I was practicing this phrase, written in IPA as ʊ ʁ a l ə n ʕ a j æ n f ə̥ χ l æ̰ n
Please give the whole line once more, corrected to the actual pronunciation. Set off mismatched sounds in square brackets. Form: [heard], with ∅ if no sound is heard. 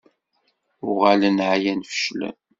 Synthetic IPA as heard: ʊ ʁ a l ə n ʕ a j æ n f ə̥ [ʃ] l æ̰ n